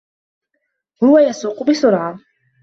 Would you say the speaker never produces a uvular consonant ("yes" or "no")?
no